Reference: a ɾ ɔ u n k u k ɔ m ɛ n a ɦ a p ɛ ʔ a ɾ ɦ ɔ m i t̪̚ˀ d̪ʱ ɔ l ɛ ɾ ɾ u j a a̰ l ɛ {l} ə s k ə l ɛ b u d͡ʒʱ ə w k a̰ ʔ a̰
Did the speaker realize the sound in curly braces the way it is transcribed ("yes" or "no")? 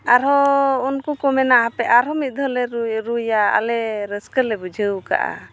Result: no